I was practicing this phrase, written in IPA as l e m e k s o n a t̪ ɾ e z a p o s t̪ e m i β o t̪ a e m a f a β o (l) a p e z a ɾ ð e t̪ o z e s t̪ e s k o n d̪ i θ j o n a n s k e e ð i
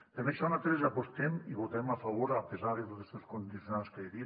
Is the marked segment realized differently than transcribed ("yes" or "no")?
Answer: yes